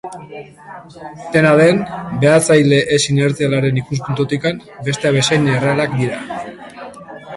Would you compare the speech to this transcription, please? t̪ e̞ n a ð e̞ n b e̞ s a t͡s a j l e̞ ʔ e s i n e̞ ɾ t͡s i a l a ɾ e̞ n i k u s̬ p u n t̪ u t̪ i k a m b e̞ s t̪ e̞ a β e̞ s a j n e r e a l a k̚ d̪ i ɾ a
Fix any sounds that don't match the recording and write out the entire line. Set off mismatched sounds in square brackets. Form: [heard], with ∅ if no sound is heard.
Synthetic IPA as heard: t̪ e̞ n a ð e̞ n b e̞ [∅] a t͡s a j l e̞ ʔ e s i n e̞ ɾ t͡s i a l a ɾ e̞ n i k u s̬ p u n t̪ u t̪ i k a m b e̞ s t̪ e̞ a β e̞ s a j n e r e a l a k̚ d̪ i ɾ a